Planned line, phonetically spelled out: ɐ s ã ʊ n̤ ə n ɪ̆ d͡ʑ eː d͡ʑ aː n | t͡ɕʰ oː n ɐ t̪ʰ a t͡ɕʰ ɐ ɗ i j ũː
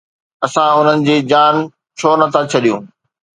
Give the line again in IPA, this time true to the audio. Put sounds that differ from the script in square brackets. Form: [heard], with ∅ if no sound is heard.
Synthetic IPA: ɐ s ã ʊ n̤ ə n ɪ̆ d͡ʑ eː d͡ʑ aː n | t͡ɕʰ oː n ɐ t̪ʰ a t͡ɕʰ ɐ ɗ i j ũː